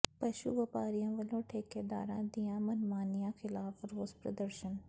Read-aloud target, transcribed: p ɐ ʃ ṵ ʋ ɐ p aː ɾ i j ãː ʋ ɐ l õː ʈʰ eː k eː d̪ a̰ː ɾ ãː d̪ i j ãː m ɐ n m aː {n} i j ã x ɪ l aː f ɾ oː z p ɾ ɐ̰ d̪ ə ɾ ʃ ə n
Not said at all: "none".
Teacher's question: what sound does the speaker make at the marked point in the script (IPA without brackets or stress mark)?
n